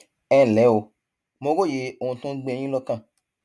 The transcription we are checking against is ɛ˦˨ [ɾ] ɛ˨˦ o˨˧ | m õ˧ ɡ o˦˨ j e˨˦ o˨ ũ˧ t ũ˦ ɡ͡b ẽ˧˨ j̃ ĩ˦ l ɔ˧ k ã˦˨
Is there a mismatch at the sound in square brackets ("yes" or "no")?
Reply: yes